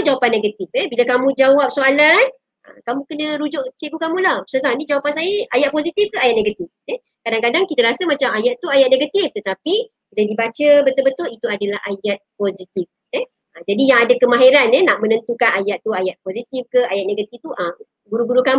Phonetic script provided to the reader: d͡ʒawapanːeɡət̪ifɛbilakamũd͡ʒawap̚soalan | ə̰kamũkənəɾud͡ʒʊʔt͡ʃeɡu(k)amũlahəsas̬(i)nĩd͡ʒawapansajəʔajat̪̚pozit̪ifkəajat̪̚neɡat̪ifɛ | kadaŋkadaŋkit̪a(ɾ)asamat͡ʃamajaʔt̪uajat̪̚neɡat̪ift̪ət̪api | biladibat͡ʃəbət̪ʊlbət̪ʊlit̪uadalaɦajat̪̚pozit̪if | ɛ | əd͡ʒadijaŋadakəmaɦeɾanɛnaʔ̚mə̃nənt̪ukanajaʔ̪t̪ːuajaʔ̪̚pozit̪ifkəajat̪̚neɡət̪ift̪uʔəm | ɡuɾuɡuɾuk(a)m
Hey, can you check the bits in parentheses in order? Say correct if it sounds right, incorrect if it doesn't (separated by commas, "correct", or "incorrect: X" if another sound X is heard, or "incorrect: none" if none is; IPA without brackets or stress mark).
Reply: correct, incorrect: a, correct, correct